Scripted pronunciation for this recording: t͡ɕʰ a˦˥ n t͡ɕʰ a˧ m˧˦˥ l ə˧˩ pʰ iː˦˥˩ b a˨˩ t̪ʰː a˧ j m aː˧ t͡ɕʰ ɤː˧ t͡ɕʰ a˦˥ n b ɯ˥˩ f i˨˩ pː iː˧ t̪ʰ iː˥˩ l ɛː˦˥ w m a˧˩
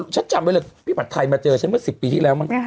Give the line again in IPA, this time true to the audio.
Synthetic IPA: t͡ɕʰ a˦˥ n t͡ɕ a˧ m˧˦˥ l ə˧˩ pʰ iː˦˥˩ b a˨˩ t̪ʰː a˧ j m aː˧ t͡ɕ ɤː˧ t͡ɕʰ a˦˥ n m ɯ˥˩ s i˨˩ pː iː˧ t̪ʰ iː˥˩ l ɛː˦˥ w m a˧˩

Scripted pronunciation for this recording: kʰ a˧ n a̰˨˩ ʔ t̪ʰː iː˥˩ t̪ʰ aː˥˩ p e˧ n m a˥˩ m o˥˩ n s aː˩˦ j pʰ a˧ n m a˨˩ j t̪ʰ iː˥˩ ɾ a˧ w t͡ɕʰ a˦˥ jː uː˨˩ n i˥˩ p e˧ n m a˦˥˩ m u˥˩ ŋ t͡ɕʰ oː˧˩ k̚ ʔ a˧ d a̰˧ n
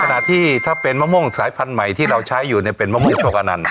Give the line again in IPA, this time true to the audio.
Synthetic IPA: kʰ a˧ n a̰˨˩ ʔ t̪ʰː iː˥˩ t̪ʰ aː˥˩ p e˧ n m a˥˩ m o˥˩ ŋ s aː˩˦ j pʰ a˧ n m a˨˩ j t̪ʰ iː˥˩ ɾ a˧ w t͡ɕʰ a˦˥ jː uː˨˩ n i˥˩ p e˧ n m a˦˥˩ m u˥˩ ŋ t͡ɕʰ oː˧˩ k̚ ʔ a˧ n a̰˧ n

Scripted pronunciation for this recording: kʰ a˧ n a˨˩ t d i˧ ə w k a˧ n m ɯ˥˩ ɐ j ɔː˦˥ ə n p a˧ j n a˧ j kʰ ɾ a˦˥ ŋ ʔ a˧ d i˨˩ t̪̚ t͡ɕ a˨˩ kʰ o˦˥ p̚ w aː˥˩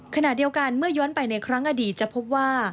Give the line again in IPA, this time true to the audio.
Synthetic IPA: kʰ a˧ n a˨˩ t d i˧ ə w k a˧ n m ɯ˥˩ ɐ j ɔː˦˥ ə n p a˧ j n a˧ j kʰ ɾ a˦˥ ŋ ʔ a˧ d iː˨˩ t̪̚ t͡ɕ a˨˩ pʰ o˦˥ p̚ w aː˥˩

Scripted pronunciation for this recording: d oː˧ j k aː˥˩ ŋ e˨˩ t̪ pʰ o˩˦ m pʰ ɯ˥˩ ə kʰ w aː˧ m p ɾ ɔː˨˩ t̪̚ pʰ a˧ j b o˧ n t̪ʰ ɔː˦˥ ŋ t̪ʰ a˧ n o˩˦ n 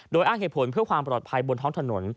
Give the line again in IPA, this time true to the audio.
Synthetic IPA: d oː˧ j ʔ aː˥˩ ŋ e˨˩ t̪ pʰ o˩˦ n pʰ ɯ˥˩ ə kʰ w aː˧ m p ɾ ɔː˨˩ t̪̚ pʰ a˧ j b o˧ n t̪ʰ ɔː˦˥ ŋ t̪ʰ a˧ n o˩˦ n

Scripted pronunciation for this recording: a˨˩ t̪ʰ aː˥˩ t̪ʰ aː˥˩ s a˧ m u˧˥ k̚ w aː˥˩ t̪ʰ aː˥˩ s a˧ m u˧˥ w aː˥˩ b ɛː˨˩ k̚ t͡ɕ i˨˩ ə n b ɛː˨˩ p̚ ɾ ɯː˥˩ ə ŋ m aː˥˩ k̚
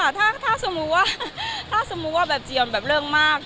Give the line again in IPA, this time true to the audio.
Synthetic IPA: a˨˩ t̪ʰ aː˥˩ t̪ʰ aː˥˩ s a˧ m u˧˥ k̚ w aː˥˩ t̪ʰ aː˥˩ s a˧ m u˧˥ w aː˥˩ b ɛː˨˩ p̚ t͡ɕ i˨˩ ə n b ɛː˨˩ p̚ ɾ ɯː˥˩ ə ŋ m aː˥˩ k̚

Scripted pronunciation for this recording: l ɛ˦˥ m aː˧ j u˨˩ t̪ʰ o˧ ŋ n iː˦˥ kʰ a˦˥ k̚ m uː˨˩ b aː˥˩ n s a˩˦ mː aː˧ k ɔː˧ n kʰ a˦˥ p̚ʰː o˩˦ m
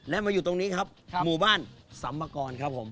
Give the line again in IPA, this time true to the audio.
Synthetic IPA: l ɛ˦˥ m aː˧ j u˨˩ t̪ o˧ ŋ n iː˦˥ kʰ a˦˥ p̚ m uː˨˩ b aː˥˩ n s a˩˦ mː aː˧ k ɔː˧ n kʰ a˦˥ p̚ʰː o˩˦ m

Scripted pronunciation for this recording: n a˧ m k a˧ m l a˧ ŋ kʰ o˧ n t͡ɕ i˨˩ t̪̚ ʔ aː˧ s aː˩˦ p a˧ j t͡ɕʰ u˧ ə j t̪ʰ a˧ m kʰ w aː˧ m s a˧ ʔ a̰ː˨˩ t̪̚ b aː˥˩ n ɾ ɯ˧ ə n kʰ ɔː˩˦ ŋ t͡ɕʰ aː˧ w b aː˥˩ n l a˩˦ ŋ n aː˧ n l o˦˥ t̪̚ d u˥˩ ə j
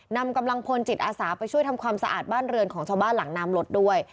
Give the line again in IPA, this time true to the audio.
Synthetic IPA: n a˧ m k a˧ m l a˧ ŋ pʰ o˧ n t͡ɕ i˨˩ t̪̚ ʔ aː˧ s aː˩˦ p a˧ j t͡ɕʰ u˥˩ ə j t̪ʰ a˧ m kʰ w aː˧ m s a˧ ʔ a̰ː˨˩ t̪̚ b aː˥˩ n ɾ ɯ˧ ə n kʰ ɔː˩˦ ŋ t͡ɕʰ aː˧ w b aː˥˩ n l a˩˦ ŋ n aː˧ m l o˦˥ t̪̚ d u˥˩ ə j

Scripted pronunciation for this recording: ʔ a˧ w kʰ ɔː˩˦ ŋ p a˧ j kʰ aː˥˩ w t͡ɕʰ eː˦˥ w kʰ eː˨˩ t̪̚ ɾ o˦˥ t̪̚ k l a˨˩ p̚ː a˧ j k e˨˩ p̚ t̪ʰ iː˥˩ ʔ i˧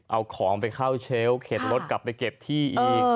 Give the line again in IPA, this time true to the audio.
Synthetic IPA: ʔ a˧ w kʰ ɔː˩˦ ŋ p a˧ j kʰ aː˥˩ w t͡ɕʰ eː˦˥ w kʰ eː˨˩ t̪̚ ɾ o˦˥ t̪̚ k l a˨˩ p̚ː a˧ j k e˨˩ p̚ t̪ʰ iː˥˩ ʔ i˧

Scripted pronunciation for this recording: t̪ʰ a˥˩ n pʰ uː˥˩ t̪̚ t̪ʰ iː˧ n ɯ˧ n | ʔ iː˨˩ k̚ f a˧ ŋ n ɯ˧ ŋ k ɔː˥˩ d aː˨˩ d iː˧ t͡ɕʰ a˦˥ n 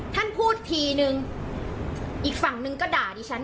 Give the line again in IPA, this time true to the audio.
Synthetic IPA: t̪ʰ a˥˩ n pʰ uː˥˩ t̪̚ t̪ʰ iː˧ n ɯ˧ ŋ | ʔ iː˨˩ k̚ f a˨˩ ŋ n ɯ˧ ŋ k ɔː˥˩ d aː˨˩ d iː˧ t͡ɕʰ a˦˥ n

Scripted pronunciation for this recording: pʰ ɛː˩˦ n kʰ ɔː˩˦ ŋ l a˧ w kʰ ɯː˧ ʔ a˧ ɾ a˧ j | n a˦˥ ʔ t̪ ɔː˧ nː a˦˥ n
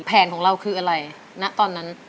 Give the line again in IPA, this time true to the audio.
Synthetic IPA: pʰ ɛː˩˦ n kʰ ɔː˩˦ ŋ ɾ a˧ w kʰ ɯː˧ ʔ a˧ ɾ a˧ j | n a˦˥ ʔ t̪ ɔː˧ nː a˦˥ n

